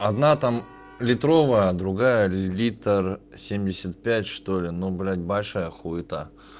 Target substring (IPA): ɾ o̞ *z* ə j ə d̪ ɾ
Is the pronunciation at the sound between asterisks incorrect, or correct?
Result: incorrect: v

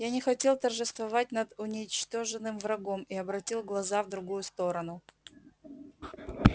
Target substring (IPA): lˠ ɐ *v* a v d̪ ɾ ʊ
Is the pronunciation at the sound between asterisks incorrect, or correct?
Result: incorrect: z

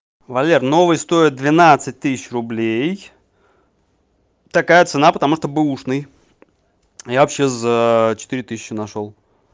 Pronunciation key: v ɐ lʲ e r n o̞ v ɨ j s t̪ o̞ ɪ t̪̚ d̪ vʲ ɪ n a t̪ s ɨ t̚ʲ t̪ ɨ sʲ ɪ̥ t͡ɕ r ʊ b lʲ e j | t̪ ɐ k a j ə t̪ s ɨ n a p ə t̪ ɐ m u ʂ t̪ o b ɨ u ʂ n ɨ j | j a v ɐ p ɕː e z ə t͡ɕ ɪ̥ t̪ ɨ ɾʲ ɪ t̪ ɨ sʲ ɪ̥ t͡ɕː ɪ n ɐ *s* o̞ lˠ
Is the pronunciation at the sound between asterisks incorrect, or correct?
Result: incorrect: ʂ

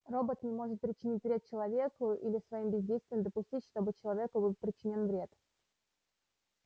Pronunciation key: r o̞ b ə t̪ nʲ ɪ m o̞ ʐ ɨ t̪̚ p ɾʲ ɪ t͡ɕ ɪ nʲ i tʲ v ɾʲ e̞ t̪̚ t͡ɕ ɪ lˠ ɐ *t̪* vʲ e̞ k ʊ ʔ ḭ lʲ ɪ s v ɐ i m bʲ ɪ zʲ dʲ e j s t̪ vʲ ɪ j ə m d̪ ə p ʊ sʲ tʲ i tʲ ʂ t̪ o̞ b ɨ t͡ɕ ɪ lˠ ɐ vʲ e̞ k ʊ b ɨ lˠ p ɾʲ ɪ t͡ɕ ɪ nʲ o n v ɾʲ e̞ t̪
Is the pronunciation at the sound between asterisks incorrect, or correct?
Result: incorrect: none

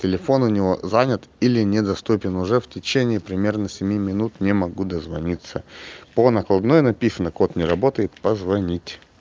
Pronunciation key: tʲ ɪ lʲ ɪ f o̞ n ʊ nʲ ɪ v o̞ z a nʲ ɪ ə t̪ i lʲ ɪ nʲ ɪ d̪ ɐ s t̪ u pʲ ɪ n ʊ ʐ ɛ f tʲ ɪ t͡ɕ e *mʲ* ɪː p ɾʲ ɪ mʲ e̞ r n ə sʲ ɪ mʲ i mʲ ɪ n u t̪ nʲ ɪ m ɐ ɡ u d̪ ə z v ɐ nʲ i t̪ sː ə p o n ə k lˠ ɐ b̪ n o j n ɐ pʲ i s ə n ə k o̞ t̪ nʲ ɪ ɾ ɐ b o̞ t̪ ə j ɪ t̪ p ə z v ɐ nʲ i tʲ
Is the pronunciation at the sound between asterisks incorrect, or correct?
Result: incorrect: nʲ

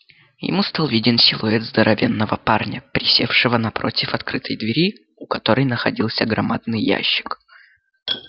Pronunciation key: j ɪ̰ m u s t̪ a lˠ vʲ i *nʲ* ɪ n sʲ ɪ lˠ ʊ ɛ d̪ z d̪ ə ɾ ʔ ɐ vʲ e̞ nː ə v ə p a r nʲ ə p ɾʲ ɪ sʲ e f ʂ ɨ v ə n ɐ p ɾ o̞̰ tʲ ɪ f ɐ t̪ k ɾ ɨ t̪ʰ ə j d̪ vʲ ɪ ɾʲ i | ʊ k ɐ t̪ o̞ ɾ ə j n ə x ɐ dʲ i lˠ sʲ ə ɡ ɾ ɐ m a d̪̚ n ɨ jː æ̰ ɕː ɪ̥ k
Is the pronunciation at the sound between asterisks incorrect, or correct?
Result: incorrect: dʲ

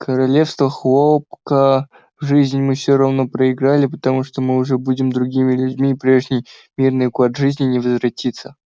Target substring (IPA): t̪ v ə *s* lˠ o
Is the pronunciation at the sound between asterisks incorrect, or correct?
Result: incorrect: x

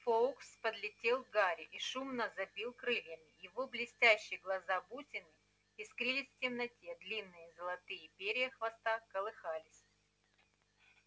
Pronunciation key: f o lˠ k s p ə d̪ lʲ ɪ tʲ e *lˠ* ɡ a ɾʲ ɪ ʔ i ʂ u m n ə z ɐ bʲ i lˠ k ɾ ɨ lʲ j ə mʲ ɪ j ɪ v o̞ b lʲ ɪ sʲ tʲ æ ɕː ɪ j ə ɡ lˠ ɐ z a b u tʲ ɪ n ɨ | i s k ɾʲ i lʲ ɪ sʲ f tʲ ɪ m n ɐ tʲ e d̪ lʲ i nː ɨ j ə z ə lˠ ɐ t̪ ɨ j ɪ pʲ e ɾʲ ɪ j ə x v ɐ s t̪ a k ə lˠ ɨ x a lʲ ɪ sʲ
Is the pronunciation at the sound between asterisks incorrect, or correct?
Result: correct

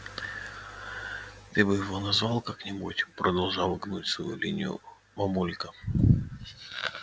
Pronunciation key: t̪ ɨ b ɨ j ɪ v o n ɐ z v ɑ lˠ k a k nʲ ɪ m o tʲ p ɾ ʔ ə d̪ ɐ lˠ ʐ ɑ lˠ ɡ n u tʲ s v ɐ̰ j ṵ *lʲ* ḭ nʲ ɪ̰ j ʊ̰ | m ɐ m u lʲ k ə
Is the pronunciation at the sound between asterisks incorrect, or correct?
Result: correct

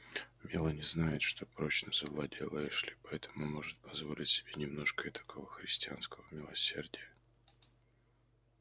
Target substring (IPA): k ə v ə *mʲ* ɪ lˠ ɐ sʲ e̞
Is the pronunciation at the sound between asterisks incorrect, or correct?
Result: correct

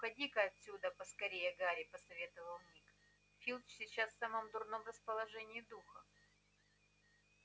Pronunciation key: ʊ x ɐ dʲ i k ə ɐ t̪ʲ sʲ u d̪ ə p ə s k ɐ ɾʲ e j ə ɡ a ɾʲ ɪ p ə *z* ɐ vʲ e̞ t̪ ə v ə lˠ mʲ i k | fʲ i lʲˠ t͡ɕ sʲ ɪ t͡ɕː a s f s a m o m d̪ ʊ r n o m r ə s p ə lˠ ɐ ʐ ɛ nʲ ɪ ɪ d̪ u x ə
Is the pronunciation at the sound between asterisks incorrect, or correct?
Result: incorrect: s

